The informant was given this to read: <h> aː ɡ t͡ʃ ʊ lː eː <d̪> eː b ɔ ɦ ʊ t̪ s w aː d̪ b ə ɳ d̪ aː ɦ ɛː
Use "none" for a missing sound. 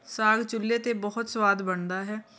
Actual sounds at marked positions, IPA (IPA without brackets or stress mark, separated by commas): s, t̪